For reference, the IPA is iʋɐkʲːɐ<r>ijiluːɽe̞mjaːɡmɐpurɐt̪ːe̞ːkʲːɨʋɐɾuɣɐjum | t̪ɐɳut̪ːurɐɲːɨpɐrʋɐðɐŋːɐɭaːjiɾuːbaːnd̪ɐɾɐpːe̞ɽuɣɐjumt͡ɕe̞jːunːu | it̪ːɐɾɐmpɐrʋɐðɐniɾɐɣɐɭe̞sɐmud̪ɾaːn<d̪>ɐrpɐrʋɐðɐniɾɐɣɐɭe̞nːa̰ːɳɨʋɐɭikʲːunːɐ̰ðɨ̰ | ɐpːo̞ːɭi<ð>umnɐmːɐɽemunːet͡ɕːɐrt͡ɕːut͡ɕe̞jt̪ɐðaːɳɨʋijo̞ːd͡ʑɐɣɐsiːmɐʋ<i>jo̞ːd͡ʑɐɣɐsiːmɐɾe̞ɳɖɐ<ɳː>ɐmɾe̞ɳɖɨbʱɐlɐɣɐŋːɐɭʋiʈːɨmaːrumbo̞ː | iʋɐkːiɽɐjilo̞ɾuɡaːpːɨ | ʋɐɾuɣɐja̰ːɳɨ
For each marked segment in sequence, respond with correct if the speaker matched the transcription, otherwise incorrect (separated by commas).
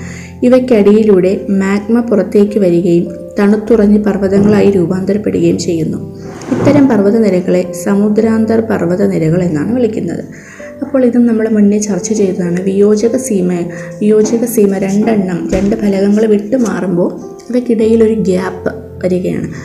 incorrect, correct, correct, correct, correct